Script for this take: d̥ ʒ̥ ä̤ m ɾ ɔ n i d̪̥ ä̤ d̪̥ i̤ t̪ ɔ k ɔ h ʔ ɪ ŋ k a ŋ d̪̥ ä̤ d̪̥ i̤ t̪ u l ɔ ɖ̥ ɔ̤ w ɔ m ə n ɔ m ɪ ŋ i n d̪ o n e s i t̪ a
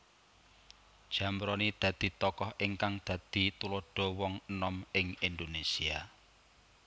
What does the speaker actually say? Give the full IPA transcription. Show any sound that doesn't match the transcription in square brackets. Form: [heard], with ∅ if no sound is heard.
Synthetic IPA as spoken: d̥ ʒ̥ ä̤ m ɾ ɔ n i d̪̥ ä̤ d̪̥ i̤ t̪ ɔ k ɔ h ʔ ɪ ŋ k a ŋ d̪̥ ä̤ d̪̥ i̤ t̪ u l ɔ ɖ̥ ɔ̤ w ɔ [ŋ] ə n ɔ m ɪ ŋ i n d̪ o n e s i [∅] a